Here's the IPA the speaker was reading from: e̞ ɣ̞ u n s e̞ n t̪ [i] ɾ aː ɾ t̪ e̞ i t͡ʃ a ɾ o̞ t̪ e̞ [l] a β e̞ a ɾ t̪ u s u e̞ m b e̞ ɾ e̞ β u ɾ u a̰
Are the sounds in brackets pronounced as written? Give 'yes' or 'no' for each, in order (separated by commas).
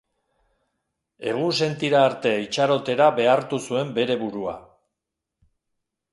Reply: yes, no